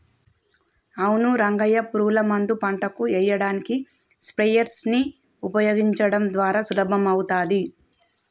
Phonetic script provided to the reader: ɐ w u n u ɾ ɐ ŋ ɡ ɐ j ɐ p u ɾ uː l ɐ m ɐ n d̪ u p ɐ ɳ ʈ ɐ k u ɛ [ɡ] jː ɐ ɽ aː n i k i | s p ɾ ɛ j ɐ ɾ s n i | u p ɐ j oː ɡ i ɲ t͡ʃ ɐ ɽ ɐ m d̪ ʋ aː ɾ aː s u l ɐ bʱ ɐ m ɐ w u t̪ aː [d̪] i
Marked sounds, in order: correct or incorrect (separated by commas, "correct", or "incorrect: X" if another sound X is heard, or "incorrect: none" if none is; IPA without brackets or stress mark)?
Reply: incorrect: none, correct